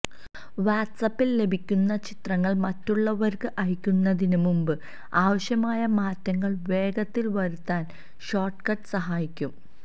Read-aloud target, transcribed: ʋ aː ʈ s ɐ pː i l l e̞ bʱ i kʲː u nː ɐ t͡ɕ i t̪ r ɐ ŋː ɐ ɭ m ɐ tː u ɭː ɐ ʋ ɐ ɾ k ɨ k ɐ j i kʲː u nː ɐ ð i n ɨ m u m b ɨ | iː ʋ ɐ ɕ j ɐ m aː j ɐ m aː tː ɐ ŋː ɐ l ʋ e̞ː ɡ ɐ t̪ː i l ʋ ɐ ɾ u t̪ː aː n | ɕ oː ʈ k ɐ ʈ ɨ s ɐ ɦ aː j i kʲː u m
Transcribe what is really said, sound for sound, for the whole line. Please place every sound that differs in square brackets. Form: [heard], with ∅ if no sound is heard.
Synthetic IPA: ʋ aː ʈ s ɐ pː i l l e̞ bʱ i kʲː u nː ɐ t͡ɕ i t̪ r ɐ ŋː ɐ ɭ m ɐ tː u ɭː ɐ ʋ ɐ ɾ k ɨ [ʔ] ɐ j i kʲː u nː ɐ ð i n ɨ m u m b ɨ | [aː] ʋ ɐ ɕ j ɐ m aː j ɐ m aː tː ɐ ŋː ɐ [ɭ] ʋ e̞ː ɡ ɐ t̪ː i l ʋ ɐ ɾ u t̪ː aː n | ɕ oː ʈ k ɐ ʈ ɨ s ɐ ɦ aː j i kʲː u m